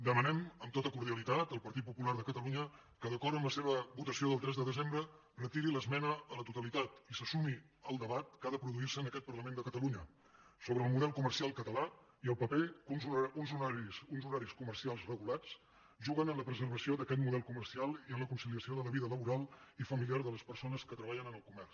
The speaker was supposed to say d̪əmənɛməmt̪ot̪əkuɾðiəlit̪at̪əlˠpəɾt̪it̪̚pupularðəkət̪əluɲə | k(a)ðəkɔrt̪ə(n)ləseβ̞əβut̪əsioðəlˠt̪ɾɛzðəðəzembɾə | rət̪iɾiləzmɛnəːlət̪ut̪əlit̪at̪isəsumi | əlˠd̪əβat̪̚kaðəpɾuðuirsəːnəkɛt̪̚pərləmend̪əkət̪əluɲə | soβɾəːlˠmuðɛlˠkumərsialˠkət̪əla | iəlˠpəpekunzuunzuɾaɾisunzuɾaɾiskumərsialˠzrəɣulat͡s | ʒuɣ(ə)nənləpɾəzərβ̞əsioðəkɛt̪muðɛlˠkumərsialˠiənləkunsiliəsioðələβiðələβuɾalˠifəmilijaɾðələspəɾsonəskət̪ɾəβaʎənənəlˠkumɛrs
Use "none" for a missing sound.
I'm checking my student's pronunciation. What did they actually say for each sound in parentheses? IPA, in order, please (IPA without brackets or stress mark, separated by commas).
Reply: ə, m, ə